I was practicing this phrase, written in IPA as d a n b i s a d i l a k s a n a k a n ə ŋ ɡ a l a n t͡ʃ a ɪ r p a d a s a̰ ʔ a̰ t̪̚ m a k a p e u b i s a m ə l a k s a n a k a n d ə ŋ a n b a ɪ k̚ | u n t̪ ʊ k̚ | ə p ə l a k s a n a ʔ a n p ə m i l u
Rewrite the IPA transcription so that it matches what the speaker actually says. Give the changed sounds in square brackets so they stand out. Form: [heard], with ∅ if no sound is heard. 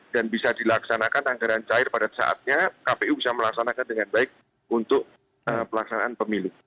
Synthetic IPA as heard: d a n b i s a d i l a k s a n a k a n [a] ŋ ɡ a [ɾ] a n t͡ʃ a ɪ r p a d a s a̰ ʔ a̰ t̪̚ [ɲ] a k a p e u b i s a m ə l a k s a n a k a n d ə ŋ a n b a ɪ k̚ | u n t̪ ʊ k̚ | ə p ə l a k s a n a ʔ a n p ə m i l u